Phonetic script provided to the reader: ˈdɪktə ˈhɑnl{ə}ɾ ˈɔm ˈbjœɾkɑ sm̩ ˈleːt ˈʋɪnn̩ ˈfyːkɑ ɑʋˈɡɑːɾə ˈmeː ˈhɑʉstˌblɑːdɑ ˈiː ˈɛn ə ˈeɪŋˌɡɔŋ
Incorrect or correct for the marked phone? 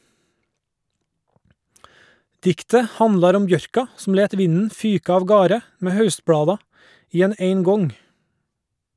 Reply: incorrect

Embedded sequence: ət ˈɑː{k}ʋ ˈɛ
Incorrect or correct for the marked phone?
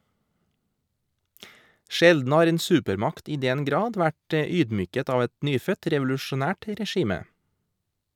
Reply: incorrect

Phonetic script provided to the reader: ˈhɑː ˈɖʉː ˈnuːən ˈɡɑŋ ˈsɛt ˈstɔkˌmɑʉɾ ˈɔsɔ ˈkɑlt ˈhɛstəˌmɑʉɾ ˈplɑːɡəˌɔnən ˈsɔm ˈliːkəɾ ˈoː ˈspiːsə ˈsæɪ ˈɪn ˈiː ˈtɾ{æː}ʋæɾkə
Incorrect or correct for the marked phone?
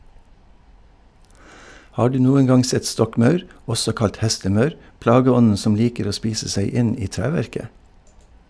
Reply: correct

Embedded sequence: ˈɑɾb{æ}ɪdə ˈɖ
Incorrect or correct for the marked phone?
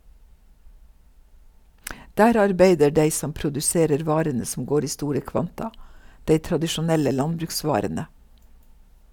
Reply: incorrect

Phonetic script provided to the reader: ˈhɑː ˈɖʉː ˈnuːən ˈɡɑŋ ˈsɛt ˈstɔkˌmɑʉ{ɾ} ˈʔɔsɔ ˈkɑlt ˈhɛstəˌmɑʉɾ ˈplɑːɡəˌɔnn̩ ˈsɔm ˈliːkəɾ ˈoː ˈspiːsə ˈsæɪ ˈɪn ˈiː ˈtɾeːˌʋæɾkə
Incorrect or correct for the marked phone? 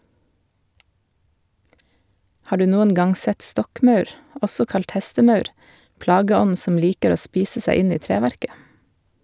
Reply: correct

